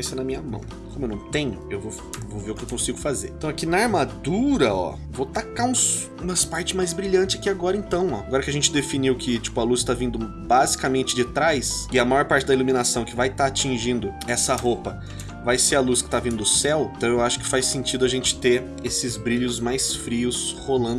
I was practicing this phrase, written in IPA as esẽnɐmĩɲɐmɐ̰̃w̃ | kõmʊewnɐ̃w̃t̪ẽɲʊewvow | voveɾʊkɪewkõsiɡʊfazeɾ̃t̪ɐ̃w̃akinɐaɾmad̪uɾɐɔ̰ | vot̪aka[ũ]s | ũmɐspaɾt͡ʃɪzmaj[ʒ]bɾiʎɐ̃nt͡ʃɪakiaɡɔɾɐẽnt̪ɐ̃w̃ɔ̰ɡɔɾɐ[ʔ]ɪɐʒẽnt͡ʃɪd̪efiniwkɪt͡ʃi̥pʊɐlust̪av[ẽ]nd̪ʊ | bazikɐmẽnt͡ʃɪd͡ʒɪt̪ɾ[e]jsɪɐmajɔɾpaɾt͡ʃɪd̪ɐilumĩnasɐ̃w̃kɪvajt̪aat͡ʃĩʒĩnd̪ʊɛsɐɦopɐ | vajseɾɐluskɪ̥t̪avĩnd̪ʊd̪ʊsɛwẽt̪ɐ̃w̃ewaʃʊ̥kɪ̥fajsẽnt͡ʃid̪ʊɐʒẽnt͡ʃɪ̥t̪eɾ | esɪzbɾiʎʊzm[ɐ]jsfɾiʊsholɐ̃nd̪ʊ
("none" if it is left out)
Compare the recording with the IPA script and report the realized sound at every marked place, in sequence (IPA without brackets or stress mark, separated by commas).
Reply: ũ, z, k, ĩ, a, a